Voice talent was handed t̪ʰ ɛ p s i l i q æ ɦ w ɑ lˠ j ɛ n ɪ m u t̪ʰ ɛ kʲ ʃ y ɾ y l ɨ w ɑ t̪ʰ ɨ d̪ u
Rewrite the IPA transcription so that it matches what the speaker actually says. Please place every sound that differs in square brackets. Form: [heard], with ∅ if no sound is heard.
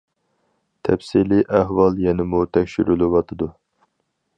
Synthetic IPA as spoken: t̪ʰ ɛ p s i l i [ʔ] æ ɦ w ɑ lˠ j ɛ n ɪ m u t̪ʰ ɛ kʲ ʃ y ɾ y l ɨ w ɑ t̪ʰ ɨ d̪ u